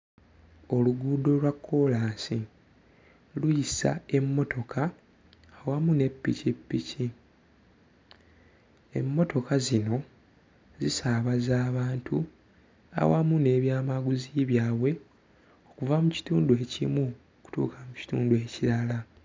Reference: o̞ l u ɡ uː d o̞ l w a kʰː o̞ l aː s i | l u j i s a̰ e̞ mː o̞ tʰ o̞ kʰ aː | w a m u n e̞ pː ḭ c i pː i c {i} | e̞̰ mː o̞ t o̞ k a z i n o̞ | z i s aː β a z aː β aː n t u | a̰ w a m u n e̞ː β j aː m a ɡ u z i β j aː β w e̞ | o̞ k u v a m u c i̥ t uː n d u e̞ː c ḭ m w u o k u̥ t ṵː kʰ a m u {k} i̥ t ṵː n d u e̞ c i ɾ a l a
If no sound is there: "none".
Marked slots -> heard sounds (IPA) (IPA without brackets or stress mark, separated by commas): i, c